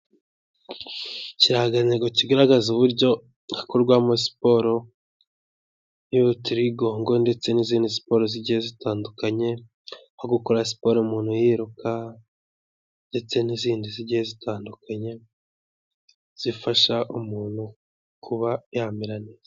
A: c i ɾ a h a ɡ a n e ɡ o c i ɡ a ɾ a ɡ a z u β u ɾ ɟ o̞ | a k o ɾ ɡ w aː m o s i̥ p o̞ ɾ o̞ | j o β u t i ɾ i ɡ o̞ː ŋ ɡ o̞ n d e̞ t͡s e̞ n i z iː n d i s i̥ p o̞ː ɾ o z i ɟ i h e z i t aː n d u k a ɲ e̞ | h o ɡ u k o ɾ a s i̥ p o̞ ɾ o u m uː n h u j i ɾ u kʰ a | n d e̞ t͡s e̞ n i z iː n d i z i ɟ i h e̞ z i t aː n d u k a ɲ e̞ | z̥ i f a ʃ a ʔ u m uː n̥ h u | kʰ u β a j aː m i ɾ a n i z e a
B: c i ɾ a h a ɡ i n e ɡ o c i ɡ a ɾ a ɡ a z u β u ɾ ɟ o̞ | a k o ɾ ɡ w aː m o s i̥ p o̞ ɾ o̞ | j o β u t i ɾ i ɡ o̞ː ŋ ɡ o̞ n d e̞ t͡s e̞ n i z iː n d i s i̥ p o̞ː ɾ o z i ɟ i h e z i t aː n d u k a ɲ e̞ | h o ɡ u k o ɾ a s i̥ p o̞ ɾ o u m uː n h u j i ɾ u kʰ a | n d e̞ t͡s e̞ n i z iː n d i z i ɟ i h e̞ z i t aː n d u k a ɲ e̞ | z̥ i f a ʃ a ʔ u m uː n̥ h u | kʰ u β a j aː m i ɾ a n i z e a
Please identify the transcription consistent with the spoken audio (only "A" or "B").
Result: A